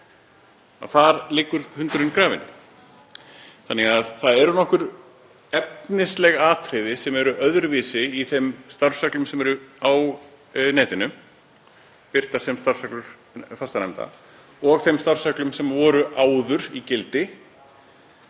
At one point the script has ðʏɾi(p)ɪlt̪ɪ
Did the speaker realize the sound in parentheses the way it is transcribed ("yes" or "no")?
no